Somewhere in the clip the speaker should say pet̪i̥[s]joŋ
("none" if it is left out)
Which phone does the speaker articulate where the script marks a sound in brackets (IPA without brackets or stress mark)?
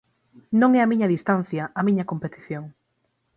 θ